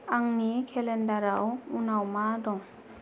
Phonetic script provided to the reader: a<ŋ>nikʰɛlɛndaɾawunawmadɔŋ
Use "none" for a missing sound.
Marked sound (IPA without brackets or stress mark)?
ŋ